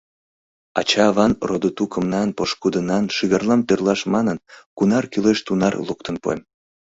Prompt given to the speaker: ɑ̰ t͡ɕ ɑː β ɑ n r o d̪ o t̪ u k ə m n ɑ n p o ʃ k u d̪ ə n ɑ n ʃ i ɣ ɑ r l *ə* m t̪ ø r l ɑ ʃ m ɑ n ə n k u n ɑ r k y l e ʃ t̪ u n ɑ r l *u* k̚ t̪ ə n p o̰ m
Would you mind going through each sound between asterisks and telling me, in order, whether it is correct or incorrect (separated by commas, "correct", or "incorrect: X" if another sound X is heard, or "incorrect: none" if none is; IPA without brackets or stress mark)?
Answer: incorrect: ɑ, correct